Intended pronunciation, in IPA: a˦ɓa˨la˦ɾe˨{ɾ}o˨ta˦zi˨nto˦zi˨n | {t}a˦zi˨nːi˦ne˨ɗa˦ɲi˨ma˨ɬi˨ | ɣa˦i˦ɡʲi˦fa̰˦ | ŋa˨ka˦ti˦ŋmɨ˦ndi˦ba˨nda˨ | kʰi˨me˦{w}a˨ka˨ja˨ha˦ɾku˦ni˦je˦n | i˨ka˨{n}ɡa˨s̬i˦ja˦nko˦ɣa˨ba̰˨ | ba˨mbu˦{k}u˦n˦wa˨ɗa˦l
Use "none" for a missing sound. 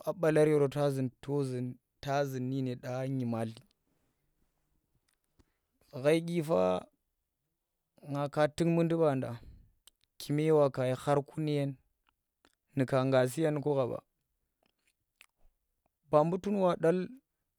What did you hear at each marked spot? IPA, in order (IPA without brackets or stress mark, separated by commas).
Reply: ɾ, t, w, ŋ, t